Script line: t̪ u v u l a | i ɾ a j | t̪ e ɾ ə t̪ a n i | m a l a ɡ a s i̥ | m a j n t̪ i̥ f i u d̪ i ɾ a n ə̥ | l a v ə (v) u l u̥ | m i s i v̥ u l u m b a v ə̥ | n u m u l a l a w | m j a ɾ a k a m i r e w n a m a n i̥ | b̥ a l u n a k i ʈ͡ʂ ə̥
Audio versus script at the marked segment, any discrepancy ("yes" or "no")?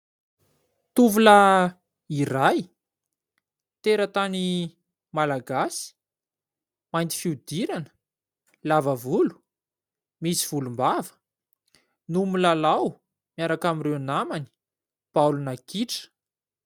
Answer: no